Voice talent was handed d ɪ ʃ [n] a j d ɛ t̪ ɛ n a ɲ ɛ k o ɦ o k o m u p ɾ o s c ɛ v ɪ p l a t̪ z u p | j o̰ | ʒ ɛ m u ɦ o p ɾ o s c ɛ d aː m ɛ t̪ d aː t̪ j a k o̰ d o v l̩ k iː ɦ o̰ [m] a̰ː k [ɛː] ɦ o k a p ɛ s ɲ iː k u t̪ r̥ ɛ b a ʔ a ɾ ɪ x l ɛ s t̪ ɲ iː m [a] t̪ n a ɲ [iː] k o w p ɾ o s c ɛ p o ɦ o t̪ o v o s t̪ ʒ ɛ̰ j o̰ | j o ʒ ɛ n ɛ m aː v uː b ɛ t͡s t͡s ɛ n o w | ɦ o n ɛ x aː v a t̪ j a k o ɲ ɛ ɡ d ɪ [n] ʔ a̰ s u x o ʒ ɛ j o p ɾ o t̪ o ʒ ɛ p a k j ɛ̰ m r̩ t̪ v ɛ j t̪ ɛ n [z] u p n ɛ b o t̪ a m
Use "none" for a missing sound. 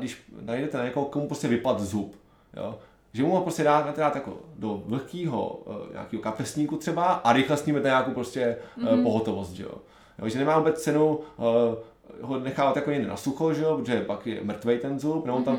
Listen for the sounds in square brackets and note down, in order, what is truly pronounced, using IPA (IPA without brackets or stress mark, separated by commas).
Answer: n, ɲ, iː, ɛ, aː, n, z